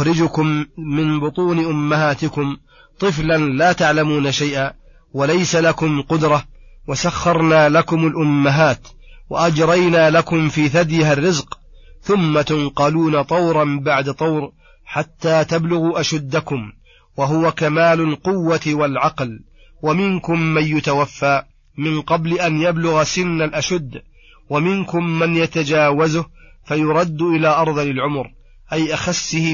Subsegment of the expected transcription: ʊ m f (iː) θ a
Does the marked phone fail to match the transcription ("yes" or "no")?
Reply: no